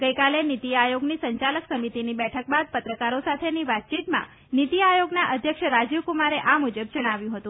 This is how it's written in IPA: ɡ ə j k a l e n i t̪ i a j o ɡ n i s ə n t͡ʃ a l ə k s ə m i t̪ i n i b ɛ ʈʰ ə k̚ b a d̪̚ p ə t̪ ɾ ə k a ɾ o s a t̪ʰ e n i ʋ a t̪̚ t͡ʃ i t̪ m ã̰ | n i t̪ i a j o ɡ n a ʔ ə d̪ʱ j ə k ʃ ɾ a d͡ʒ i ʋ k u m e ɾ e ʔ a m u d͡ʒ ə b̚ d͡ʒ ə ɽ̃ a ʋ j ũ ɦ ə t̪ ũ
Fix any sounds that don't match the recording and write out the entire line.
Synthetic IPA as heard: ɡ ə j k a l e n i t̪ i a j o ɡ n i s ə ɲ t͡ʃ a l ə k s ə m i t̪ i n i b ɛ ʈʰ ə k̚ b a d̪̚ p ə t̪ ɾ ə k a ɾ o s a t̪ʰ e n i ʋ a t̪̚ t͡ʃ i t̪ m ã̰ | n i t̪ i a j o ɡ n a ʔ ə d̪ʱ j ə k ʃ ɾ a d͡ʒ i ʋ k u m a ɾ e ʔ a m u d͡ʒ ə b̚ d͡ʒ ə ɽ̃ a ʋ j ũ ɦ ə t̪ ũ